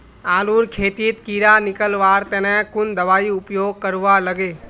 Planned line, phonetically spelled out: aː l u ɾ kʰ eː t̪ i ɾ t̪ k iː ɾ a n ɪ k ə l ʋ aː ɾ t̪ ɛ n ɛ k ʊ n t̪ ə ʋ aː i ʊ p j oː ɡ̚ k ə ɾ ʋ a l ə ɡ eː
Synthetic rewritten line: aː l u ɾ kʰ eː t̪ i t̪ k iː ɾ a n ɪ k ə l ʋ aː ɾ t̪ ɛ n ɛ k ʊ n d̪ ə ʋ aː i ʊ p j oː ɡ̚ k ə ɾ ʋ a l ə ɡ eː

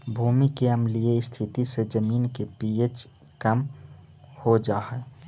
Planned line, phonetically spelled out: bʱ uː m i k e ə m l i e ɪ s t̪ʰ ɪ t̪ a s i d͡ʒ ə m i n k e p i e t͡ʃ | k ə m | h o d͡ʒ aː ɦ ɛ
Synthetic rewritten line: bʱ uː m i k e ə m l i e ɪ s t̪ʰ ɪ t̪ i s e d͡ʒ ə m iː n k e p i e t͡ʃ | k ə m | h o d͡ʒ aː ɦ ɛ

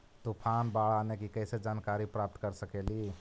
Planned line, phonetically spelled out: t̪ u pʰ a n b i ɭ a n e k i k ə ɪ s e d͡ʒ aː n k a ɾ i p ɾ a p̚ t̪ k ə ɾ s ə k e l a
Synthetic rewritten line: t̪ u pʰ a n b a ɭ a n e k i k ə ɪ s e d͡ʒ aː n k a ɾ i p ɾ a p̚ t̪ k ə ɾ s ə k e l i

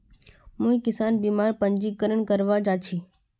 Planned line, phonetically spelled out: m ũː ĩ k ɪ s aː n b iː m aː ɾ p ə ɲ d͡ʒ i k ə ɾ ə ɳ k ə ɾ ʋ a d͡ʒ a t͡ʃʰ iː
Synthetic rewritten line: m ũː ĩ k ɪ s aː n b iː m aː ɾ p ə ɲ d͡ʒ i k ə ɾ ə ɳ k ə ɾ ʋ a d͡ʒ a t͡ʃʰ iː

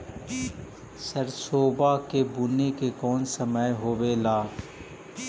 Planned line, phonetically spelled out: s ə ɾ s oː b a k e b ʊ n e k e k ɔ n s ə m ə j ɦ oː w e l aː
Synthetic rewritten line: s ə ɾ s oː b a k e b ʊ n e k e k ɔː n s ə m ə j ɦ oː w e l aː

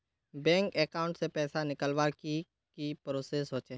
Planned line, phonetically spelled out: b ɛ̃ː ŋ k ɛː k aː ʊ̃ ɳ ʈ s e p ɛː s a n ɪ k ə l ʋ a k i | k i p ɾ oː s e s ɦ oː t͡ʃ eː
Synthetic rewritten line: b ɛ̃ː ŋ k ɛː k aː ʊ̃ ɳ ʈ s e p ɛː s a n ɪ k ə l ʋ a k i | k i p ɾ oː s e s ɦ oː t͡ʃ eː

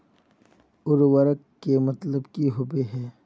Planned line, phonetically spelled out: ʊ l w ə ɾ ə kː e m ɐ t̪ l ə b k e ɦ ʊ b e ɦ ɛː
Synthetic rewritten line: ʊ ɾ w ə ɾ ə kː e m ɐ t̪ l ə b k i ɦ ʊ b e ɦ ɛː

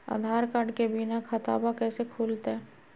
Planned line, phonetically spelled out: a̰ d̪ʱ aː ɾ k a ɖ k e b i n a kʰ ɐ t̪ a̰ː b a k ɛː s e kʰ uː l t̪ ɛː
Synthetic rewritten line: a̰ d̪ʱ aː ɾ k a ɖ k e b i n a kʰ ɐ t̪ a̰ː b a k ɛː s e kʰ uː l t̪ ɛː

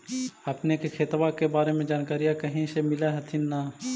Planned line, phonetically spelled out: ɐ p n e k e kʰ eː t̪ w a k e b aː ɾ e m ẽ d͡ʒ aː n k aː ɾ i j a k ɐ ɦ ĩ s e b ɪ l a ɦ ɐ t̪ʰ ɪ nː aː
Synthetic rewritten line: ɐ p n e k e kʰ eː t̪ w a k e b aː ɾ e m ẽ d͡ʒ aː n k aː ɾ i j a k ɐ ɦ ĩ s e m ɪ l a ɦ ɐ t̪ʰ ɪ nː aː

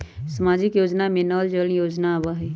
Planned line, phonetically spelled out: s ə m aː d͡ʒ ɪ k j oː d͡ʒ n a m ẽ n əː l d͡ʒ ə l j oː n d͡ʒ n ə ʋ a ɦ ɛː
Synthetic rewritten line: s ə m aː d͡ʒ ɪ k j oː d͡ʒ n a m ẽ n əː l d͡ʒ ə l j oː d͡ʒ n a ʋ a ɦ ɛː

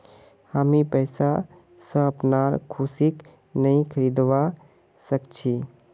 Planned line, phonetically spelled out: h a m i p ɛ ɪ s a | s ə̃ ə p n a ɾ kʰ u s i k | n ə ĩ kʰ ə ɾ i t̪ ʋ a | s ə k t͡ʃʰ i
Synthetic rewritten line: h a m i p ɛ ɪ s a | s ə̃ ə p n a ɾ kʰ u s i k | n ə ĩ kʰ ə ɾ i d̪ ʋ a | s ə k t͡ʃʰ i

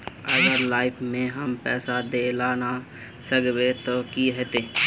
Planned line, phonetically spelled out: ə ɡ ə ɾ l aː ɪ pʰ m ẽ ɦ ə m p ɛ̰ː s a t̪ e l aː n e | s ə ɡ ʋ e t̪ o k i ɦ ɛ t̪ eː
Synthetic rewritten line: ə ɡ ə ɾ l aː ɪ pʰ m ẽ ɦ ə m p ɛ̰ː s a d̪ e l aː n a | s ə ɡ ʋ e t̪ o k i ɦ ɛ t̪ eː

